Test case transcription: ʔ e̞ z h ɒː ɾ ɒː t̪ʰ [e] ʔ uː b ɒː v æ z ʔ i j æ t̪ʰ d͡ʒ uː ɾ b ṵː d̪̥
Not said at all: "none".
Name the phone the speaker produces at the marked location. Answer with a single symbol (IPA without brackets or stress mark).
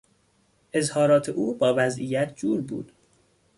e